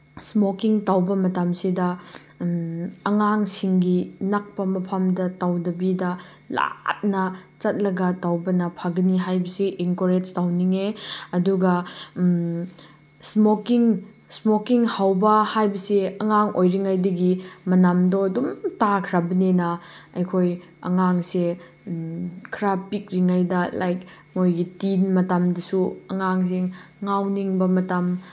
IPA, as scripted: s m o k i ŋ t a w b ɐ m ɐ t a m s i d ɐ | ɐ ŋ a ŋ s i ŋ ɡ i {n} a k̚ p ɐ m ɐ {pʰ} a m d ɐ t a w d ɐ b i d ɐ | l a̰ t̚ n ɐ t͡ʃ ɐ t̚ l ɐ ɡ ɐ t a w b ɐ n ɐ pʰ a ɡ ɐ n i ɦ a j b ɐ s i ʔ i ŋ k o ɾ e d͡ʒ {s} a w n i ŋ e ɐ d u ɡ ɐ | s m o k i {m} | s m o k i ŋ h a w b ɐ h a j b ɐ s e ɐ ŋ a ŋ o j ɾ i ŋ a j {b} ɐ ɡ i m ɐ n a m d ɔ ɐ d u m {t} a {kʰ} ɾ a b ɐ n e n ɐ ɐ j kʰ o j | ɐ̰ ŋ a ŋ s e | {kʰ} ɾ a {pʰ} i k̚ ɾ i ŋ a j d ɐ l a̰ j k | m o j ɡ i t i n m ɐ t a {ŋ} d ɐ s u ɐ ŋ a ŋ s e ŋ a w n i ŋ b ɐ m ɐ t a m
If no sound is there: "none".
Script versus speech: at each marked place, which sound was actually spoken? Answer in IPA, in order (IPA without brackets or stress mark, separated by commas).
n, pʰ, t, ŋ, d, t, kʰ, kʰ, p, m